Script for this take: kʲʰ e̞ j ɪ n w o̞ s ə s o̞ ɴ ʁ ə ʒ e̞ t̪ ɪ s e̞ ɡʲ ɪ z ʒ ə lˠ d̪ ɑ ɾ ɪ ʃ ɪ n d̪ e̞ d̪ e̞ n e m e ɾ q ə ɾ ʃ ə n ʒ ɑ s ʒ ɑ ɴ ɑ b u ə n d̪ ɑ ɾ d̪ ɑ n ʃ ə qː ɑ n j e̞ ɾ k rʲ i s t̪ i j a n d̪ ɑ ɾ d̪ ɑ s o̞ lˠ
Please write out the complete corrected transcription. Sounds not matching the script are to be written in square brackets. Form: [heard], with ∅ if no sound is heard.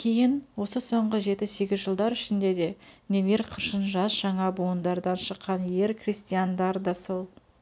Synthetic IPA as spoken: kʲʰ e̞ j ɪ n w o̞ s ə s o̞ ɴ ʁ ə ʒ e̞ t̪ ɪ s e̞ ɡʲ ɪ z ʒ ə lˠ d̪ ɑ ɾ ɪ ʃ ɪ n d̪ e̞ d̪ e̞ n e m e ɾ [qʰ] ə ɾ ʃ ə n ʒ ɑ s ʒ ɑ ɴ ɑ b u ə n d̪ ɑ ɾ d̪ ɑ n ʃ ə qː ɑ n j e̞ ɾ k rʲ i s t̪ i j a n d̪ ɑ ɾ d̪ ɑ s o̞ lˠ

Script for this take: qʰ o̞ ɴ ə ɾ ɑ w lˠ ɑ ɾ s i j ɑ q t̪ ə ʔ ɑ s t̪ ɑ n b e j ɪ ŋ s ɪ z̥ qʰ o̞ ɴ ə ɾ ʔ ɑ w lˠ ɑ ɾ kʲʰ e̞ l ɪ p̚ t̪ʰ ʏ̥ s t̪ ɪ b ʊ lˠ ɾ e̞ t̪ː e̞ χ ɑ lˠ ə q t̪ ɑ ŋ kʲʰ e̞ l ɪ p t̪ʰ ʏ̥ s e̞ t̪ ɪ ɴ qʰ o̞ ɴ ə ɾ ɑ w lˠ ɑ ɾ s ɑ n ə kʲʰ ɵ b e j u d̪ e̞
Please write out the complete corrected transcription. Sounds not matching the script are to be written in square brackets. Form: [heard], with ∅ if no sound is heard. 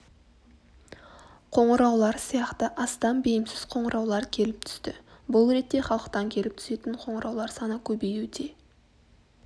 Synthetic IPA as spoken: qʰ o̞ ɴ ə ɾ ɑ w lˠ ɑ ɾ s i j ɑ q t̪ ə ʔ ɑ s t̪ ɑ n b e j ɪ [m] s ɪ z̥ qʰ o̞ ɴ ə ɾ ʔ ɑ w lˠ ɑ ɾ kʲʰ e̞ l ɪ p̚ t̪ʰ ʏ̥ s t̪ ɪ b ʊ lˠ ɾ e̞ t̪ː e̞ χ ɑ lˠ ə q t̪ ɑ ŋ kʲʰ e̞ l ɪ p t̪ʰ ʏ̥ s e̞ t̪ ɪ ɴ qʰ o̞ ɴ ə ɾ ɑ w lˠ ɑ ɾ s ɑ n ə kʲʰ ɵ b e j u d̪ e̞

